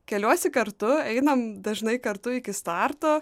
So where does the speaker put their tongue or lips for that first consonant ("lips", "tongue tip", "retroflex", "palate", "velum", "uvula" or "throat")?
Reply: velum